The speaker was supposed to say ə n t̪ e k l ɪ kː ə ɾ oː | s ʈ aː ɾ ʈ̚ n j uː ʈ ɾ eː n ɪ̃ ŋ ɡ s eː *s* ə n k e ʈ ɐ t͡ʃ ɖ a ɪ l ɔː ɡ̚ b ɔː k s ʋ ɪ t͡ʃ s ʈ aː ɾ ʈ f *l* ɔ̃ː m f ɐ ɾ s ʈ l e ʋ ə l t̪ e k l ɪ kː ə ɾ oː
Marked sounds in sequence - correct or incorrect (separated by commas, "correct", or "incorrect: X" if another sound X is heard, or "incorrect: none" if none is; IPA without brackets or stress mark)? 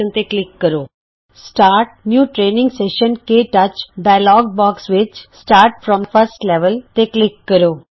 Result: incorrect: ʃ, incorrect: ɾ